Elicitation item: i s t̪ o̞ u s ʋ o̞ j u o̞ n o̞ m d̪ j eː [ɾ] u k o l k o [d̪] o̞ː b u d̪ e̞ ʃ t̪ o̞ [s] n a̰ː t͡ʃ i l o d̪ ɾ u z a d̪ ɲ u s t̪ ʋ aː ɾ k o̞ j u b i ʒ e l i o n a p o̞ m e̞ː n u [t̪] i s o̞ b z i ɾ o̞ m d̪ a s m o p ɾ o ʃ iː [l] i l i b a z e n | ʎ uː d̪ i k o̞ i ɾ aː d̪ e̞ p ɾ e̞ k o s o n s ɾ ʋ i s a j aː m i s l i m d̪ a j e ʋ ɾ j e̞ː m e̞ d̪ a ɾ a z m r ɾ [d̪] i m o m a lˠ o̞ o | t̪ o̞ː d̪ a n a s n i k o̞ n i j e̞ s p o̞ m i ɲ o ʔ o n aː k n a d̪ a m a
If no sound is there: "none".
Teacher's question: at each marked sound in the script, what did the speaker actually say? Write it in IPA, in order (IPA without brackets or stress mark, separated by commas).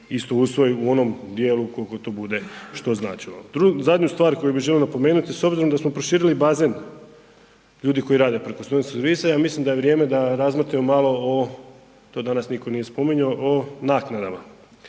l, t̪, z, t̪, ɾ, t̪